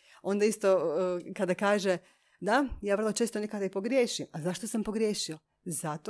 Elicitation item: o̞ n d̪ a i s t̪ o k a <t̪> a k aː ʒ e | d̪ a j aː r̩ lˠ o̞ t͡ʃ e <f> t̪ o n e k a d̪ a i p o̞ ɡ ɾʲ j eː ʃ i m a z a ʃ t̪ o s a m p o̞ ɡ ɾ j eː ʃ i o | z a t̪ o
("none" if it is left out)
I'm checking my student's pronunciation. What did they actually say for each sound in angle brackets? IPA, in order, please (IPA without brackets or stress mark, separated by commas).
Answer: d̪, s